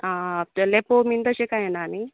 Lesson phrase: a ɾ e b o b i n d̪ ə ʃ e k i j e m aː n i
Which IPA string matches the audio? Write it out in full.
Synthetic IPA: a l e p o m i n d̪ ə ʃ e k a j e n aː n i